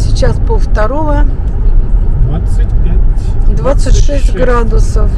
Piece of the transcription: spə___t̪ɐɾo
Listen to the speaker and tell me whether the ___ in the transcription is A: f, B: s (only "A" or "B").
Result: A